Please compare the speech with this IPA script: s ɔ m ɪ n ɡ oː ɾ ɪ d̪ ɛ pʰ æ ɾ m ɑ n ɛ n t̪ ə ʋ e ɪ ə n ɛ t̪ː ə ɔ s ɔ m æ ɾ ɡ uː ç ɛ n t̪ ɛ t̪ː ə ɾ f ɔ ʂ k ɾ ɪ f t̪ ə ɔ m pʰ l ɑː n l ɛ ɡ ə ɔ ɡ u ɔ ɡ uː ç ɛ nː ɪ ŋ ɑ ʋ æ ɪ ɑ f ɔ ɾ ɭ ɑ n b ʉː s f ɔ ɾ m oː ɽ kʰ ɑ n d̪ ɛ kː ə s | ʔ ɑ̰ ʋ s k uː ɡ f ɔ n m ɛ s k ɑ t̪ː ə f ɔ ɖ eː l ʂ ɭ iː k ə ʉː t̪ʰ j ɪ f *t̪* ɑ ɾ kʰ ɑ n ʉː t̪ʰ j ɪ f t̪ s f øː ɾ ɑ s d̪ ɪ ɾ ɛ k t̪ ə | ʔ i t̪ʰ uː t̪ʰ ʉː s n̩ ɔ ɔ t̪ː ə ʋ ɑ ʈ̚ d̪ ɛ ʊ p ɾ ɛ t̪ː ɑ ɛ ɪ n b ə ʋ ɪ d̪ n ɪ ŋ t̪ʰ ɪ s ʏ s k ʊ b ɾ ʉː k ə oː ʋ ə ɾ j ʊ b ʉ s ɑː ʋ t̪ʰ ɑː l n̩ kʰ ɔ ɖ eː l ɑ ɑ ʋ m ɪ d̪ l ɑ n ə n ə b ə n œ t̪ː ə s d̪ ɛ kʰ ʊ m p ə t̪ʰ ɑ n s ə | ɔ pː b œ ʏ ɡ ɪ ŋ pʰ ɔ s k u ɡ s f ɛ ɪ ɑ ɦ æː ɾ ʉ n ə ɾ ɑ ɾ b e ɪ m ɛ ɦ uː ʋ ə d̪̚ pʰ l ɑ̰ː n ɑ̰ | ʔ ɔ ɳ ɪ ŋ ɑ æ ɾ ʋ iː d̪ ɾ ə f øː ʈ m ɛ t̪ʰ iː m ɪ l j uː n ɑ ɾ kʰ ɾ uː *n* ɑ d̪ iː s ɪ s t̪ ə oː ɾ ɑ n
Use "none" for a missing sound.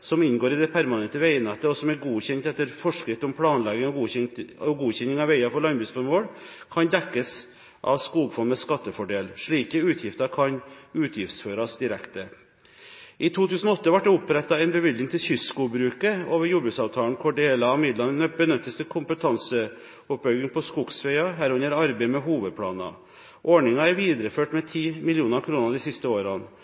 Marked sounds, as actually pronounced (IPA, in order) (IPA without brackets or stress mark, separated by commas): t̪, n